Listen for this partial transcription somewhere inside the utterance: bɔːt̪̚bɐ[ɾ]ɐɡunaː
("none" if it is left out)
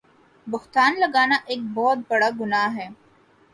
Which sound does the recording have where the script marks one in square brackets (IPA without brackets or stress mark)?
ɽ